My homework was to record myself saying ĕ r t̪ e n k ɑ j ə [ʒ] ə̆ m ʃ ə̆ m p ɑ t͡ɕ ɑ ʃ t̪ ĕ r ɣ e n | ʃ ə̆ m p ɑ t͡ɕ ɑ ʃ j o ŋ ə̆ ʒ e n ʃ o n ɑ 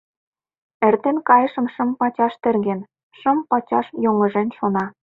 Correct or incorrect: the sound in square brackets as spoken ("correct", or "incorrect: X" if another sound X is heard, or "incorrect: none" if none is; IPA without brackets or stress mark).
incorrect: ʃ